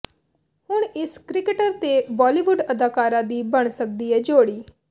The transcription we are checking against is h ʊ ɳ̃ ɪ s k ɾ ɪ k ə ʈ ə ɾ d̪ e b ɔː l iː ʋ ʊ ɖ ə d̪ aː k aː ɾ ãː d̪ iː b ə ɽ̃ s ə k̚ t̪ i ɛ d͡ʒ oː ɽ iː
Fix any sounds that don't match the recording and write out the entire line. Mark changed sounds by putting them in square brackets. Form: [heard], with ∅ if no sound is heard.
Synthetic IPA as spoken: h ʊ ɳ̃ ɪ s k ɾ ɪ k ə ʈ ə ɾ [t̪] e b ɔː l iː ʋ ʊ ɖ ə d̪ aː k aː ɾ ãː d̪ iː b ə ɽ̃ s ə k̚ [d̪] i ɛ d͡ʒ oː ɽ iː